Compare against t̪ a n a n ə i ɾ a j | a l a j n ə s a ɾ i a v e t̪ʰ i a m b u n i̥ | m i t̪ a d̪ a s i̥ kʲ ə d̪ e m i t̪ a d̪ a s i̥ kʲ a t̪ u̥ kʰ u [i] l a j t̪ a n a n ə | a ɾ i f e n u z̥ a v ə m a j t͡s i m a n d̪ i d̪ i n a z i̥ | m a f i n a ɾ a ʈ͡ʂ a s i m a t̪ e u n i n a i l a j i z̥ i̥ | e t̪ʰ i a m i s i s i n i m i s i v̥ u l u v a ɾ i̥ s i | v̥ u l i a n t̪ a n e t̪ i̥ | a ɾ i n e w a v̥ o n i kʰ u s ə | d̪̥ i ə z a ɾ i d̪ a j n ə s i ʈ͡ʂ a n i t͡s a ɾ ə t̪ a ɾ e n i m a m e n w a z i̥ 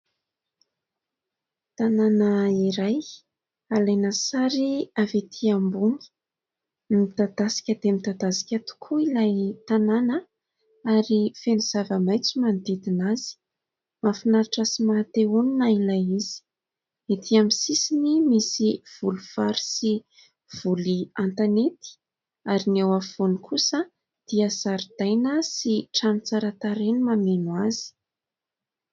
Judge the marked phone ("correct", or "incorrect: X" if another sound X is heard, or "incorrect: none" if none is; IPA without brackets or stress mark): correct